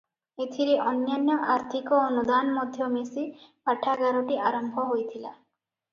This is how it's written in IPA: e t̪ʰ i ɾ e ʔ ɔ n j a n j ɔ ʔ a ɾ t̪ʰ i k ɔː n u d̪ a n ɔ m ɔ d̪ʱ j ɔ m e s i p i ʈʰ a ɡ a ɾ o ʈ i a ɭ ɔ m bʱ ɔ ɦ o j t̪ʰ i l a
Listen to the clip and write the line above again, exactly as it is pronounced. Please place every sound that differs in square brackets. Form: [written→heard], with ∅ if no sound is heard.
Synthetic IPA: e t̪ʰ i ɾ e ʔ ɔ n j a n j ɔ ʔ a ɾ t̪ʰ i k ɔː n u d̪ a n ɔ m ɔ d̪ʱ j ɔ m e s i p [i→a] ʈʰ a ɡ a ɾ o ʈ i a [ɭ→ɾ] ɔ m bʱ ɔ ɦ o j t̪ʰ i l a